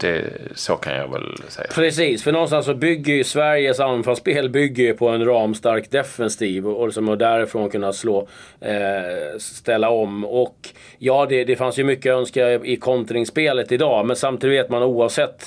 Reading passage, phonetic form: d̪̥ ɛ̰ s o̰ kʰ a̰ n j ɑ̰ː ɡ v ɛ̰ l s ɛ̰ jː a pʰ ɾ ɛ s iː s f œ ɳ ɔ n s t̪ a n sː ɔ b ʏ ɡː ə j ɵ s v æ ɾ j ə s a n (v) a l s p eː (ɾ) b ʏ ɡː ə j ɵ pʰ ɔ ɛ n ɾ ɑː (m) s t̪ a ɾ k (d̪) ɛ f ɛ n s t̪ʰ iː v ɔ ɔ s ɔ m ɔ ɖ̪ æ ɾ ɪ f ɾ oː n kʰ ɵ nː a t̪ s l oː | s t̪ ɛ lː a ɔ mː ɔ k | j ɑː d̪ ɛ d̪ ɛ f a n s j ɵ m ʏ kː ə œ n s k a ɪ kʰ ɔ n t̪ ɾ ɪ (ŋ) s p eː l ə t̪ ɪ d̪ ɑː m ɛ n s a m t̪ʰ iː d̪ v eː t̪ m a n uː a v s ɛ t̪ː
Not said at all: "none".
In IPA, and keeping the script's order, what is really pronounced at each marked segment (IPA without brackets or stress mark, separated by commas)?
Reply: f, l, m, d̪, ŋ